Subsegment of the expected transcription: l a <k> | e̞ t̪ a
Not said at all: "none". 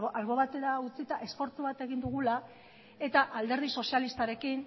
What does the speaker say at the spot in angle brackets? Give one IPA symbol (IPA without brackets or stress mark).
none